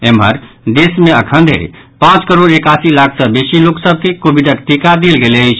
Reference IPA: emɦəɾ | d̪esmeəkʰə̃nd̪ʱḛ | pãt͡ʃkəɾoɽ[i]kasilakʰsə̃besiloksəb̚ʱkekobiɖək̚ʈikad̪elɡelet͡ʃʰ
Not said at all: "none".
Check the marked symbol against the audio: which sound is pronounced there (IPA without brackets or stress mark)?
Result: e